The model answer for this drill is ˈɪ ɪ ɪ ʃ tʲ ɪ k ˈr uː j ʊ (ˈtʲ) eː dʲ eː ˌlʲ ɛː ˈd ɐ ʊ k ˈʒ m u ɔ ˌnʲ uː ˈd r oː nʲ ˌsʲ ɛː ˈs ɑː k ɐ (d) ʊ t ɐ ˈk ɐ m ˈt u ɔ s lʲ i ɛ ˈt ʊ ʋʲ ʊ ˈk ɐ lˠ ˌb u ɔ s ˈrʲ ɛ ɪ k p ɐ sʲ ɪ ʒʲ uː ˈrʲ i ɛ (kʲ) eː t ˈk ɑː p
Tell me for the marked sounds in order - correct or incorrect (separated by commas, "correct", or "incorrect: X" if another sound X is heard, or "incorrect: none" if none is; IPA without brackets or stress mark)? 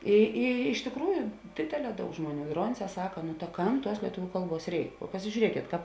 incorrect: dʲ, incorrect: n, correct